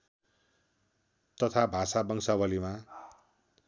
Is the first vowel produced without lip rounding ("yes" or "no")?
yes